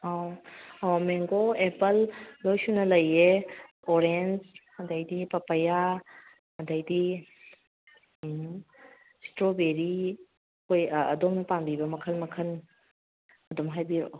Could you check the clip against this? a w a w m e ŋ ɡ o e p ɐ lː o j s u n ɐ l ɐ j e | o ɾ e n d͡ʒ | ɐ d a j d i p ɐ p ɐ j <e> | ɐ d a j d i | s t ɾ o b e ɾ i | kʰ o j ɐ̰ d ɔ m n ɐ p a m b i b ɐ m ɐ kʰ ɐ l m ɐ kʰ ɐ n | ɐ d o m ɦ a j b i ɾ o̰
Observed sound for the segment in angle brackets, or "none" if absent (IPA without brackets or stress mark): a